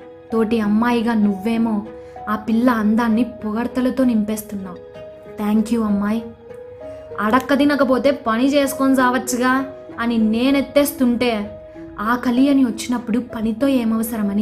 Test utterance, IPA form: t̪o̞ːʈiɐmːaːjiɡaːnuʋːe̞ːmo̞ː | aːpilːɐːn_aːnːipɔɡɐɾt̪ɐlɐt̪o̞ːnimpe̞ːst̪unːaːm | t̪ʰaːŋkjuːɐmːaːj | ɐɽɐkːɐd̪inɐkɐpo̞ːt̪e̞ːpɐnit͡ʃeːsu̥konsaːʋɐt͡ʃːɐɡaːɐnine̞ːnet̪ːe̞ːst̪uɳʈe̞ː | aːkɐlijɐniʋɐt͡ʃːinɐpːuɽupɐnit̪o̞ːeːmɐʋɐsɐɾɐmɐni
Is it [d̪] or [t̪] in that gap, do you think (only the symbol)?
d̪